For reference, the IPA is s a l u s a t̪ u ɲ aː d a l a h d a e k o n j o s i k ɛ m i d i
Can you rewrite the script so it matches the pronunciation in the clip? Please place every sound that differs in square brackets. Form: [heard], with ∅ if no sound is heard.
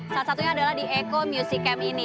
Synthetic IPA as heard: s a l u s a t̪ u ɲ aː d a l a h d [i] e k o [m] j [u] s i k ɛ m i [n] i